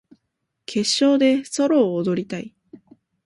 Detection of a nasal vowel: absent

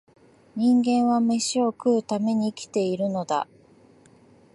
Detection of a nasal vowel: present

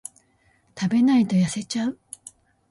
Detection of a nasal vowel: absent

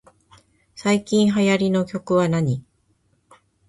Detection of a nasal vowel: present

